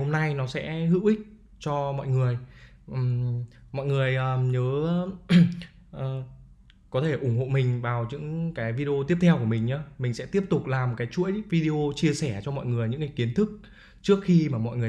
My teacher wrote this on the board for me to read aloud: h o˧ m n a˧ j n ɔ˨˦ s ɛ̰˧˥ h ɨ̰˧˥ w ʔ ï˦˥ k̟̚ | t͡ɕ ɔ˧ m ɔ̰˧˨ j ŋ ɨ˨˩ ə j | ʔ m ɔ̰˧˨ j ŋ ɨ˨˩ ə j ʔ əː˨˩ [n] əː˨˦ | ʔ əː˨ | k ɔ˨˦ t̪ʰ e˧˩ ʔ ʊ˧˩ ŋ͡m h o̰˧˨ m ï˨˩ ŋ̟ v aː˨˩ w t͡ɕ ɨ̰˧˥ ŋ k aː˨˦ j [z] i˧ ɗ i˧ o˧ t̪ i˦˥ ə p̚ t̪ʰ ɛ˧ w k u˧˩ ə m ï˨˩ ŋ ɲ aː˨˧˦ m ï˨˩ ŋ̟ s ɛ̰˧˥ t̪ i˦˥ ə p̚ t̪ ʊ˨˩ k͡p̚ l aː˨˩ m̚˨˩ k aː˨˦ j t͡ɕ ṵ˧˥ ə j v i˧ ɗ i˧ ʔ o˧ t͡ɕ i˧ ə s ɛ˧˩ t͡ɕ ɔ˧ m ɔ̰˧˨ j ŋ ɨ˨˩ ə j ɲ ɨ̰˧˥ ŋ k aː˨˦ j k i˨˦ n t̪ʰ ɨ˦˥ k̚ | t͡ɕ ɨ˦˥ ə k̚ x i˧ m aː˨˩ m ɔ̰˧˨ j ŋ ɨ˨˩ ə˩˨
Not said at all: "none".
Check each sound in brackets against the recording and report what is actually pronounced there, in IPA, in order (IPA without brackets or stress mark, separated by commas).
ɲ, v